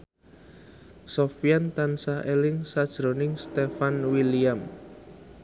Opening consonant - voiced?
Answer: no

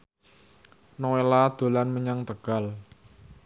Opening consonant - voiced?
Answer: yes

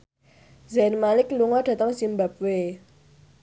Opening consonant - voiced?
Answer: yes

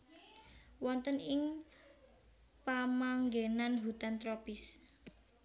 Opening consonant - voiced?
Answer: yes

